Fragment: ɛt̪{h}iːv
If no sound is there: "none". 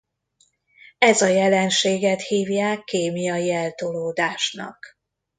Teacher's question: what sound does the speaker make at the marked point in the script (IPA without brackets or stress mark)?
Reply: h